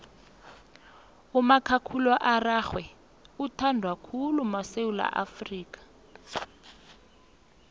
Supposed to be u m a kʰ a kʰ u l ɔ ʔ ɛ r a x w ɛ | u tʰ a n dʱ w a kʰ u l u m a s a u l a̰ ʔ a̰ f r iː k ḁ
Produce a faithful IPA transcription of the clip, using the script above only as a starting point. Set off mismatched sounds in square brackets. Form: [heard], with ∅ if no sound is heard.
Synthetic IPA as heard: u m a kʰ a kʰ u l ɔ ʔ [a] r a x w ɛ | u tʰ a n dʱ w a kʰ u l u m a s [e] u l a̰ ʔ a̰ f r iː k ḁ